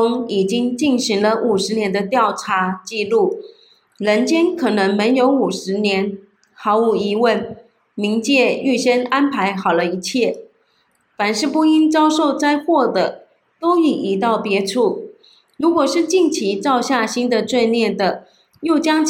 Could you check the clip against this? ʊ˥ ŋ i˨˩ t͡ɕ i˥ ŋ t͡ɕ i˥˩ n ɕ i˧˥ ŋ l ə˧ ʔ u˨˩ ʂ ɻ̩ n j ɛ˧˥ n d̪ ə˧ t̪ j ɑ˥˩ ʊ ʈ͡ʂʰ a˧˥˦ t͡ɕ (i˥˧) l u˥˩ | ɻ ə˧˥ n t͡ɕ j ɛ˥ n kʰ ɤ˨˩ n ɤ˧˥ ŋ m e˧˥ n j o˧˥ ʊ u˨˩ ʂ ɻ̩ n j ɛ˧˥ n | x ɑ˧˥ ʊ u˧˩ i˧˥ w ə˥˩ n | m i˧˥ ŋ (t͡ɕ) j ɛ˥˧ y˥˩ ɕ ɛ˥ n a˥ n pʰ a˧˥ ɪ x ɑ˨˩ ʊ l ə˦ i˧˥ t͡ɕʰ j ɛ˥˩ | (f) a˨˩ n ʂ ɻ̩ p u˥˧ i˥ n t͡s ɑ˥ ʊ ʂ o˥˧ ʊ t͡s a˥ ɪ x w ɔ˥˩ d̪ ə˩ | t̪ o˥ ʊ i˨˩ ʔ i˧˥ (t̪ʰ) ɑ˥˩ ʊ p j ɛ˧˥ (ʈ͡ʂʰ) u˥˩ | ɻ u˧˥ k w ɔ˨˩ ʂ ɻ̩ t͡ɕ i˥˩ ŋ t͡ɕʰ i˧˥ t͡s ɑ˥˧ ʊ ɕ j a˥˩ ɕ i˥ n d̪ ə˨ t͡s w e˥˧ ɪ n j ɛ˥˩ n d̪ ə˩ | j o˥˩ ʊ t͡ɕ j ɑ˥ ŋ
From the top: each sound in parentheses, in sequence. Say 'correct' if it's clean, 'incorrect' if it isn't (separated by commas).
correct, correct, correct, incorrect, correct